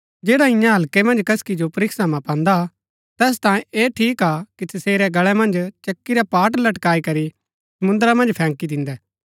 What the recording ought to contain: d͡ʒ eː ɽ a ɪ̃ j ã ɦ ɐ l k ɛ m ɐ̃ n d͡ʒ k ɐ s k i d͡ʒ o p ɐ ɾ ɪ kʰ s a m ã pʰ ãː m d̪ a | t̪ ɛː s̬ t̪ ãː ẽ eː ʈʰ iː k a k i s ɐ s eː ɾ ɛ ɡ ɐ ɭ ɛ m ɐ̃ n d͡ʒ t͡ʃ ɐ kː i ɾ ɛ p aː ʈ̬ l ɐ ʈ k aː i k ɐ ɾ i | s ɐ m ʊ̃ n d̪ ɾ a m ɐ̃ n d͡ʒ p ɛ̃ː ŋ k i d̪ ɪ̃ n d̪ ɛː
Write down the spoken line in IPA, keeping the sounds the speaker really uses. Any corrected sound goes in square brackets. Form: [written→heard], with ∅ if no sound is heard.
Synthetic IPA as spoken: d͡ʒ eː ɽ a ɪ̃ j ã ɦ ɐ l k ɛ m ɐ̃ n d͡ʒ k ɐ s k i d͡ʒ o p ɐ ɾ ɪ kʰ s a m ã [pʰ→p] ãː [m→n] d̪ a | t̪ ɛː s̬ t̪ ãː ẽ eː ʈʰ iː k a k i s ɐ s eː ɾ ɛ ɡ ɐ ɭ ɛ m ɐ̃ n d͡ʒ t͡ʃ ɐ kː i ɾ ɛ p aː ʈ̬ l ɐ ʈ k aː i k ɐ ɾ i | s ɐ m ʊ̃ n d̪ ɾ a m ɐ̃ n d͡ʒ [p→pʰ] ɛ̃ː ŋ k i d̪ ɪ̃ n d̪ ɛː

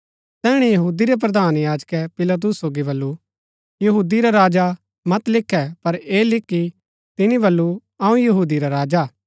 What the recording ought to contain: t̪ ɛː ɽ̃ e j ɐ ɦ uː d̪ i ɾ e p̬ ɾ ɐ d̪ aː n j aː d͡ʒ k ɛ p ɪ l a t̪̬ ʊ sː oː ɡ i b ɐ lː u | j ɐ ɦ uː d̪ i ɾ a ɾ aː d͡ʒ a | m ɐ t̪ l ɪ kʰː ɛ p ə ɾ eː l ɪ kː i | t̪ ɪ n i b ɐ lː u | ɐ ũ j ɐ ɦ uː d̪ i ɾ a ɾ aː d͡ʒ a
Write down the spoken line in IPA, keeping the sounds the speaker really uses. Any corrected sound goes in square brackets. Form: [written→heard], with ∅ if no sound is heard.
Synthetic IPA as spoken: t̪ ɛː ɽ̃ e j ɐ ɦ uː d̪ i ɾ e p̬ ɾ ɐ d̪ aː n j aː d͡ʒ k ɛ p ɪ l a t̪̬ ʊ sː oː ɡ i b ɐ lː u | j ɐ ɦ uː d̪ i ɾ a ɾ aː d͡ʒ a | m ɐ t̪ l ɪ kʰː ɛ p [ə→ɐ] ɾ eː l ɪ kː i | t̪ ɪ n i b ɐ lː u | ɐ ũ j ɐ ɦ uː d̪ i ɾ a ɾ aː d͡ʒ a

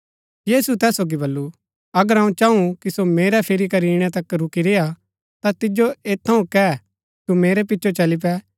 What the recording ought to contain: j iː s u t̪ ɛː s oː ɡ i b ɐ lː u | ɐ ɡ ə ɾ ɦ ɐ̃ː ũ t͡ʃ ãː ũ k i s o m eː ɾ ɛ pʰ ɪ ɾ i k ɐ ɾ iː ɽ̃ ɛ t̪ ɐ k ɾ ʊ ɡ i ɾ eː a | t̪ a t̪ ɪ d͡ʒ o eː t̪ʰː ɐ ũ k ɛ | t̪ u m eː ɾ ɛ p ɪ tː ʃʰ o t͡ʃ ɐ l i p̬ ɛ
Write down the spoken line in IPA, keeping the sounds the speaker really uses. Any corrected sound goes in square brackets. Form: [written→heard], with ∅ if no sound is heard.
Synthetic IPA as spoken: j iː s u t̪ ɛː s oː ɡ i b ɐ lː u | ɐ ɡ ə ɾ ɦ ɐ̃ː ũ t͡ʃ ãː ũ k i s o m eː ɾ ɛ pʰ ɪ ɾ i k ɐ ɾ iː ɽ̃ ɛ t̪ ɐ k ɾ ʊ [ɡ→k] i ɾ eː a | t̪ a t̪ ɪ d͡ʒ o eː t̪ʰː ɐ ũ k ɛ | t̪ u m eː ɾ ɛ p ɪ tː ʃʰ o t͡ʃ ɐ l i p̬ ɛ

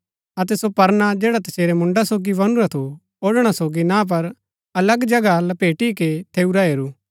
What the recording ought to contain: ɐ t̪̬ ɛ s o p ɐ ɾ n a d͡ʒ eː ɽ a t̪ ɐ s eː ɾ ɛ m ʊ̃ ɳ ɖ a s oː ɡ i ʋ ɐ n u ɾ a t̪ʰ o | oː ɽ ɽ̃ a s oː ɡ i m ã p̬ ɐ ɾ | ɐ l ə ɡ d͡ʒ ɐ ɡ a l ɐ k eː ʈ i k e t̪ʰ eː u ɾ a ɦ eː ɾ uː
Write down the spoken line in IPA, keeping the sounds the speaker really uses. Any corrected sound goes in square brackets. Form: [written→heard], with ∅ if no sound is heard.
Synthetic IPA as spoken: ɐ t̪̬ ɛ s o p ɐ ɾ n a d͡ʒ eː ɽ a t̪ ɐ s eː ɾ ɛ m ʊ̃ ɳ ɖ a s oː ɡ i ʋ ɐ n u ɾ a t̪ʰ o | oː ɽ ɽ̃ a s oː ɡ i [m→n] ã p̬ ɐ ɾ | ɐ l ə ɡ d͡ʒ ɐ ɡ a l ɐ [k→p] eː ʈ i k e t̪ʰ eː u ɾ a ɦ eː ɾ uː

